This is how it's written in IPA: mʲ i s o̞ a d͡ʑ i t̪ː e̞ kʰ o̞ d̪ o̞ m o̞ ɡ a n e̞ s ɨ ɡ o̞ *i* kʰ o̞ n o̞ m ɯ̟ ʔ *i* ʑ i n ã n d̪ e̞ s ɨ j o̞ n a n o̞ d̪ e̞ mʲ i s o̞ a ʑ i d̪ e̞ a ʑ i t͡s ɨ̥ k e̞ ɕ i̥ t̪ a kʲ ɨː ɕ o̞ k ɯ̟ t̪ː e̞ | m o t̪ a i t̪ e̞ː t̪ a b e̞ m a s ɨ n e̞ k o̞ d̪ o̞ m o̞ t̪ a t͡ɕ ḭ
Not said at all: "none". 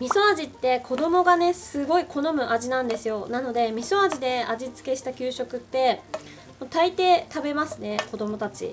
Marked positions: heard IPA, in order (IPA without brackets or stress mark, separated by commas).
i, a